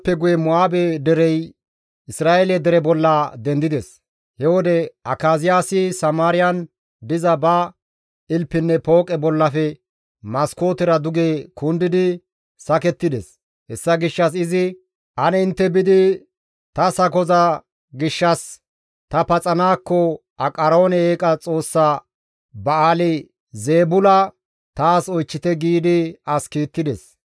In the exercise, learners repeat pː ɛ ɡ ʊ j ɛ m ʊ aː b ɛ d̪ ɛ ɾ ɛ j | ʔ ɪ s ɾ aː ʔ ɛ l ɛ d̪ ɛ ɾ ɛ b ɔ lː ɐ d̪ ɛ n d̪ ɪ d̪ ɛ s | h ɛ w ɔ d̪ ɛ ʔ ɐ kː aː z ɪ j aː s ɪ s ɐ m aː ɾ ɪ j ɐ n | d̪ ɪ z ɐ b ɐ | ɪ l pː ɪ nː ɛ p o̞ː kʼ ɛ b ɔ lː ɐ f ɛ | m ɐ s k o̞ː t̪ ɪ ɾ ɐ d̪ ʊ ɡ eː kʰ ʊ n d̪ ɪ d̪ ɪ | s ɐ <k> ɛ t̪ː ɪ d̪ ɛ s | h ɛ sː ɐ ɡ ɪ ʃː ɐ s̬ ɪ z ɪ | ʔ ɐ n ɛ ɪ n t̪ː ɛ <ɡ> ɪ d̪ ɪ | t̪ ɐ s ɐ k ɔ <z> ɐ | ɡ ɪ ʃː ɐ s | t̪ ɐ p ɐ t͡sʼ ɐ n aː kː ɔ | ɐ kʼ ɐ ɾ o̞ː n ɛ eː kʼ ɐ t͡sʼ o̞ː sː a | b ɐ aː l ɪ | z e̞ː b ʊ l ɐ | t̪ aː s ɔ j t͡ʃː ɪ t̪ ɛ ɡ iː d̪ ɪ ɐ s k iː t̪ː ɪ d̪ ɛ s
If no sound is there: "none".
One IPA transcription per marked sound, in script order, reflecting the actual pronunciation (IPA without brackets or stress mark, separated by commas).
k, b, z